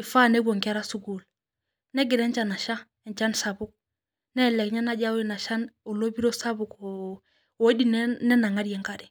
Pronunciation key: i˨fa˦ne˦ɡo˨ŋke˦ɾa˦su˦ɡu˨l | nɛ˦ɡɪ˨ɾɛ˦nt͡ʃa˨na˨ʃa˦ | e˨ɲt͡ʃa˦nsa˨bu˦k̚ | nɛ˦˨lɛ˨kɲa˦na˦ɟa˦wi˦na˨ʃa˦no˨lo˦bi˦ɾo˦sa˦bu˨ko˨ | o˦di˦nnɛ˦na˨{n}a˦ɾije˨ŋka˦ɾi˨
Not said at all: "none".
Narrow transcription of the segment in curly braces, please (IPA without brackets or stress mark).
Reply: ŋ